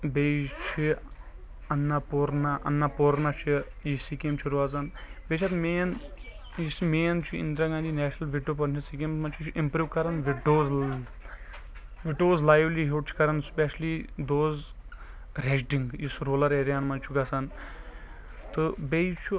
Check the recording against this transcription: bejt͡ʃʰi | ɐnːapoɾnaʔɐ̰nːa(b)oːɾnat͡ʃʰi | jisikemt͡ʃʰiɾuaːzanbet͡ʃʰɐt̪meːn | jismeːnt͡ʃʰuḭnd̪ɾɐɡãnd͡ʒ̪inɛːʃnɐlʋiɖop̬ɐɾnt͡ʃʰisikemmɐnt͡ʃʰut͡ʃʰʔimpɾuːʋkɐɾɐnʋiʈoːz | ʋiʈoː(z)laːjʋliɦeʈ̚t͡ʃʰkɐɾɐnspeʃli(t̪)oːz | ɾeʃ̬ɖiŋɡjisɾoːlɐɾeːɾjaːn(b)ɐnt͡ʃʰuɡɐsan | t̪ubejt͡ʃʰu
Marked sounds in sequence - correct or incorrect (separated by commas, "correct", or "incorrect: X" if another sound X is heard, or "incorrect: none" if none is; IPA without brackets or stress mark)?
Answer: incorrect: p, correct, incorrect: d̪, incorrect: m